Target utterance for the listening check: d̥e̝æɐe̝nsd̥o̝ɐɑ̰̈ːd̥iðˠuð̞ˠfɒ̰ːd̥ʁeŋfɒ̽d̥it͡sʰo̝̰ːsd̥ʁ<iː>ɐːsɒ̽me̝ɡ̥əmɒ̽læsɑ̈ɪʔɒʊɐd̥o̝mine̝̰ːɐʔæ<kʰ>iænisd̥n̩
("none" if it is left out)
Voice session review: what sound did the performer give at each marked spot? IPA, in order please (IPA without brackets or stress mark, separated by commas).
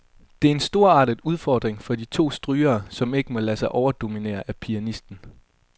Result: yː, pʰ